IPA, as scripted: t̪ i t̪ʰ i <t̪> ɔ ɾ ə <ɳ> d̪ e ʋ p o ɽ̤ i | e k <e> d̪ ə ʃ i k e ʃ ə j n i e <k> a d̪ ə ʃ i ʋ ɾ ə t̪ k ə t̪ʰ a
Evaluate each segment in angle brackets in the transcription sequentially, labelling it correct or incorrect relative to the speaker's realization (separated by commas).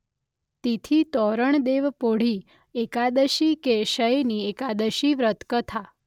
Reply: correct, correct, incorrect, correct